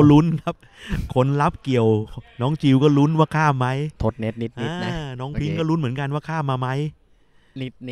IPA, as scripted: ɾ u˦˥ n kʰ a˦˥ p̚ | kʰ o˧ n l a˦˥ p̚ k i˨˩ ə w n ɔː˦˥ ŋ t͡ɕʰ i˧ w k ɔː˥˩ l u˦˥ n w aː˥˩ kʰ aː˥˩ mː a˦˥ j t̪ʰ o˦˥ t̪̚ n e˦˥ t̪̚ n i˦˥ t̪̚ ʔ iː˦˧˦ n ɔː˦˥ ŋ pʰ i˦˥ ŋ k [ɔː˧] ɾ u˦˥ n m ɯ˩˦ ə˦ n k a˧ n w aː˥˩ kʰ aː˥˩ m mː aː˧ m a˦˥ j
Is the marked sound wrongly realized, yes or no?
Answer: yes